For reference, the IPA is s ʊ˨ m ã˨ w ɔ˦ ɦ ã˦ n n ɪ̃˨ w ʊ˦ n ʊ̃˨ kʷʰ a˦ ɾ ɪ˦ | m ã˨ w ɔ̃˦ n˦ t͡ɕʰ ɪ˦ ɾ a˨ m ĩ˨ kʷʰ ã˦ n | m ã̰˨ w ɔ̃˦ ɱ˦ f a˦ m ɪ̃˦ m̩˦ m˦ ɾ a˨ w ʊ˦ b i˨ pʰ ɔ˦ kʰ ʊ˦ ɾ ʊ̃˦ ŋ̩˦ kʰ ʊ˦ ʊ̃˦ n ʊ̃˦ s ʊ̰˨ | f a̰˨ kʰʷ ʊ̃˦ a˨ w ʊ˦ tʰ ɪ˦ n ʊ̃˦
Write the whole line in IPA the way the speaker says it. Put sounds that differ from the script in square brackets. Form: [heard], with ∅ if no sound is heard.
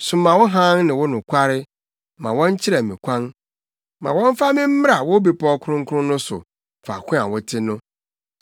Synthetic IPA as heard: s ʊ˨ m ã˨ w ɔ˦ ɦ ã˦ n n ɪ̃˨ w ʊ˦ n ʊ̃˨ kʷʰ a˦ ɾ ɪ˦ | m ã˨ w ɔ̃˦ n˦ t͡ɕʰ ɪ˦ ɾ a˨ m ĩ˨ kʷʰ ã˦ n | m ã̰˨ w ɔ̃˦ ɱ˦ f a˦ m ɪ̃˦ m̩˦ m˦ ɾ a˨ w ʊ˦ b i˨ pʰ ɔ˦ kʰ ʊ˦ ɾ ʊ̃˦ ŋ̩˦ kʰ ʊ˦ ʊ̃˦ n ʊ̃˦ s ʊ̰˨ | f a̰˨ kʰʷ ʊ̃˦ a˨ w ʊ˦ tʰ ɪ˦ n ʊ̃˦